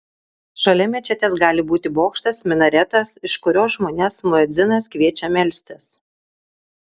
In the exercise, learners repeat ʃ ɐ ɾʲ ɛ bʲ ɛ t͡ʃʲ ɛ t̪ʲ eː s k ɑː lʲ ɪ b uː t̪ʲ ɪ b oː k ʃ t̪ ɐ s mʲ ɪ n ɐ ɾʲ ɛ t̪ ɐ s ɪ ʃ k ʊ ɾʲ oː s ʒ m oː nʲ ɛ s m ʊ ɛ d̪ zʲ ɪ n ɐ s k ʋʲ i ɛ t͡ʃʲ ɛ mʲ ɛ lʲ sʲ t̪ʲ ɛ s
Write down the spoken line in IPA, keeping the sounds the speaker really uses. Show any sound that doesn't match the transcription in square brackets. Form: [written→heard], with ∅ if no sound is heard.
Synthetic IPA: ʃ ɐ [ɾʲ→lʲ] ɛ [bʲ→mʲ] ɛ t͡ʃʲ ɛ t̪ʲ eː s [k→ɡ] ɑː lʲ ɪ b uː t̪ʲ ɪ b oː k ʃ t̪ ɐ s mʲ ɪ n ɐ ɾʲ ɛ t̪ ɐ s ɪ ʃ k ʊ ɾʲ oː s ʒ m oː nʲ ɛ s m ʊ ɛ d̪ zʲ ɪ n ɐ s k ʋʲ i ɛ t͡ʃʲ ɛ mʲ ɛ lʲ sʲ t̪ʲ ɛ s